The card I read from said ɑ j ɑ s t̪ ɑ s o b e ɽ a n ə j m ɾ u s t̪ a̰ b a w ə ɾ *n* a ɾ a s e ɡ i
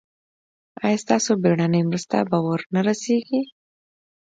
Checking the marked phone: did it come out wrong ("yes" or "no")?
no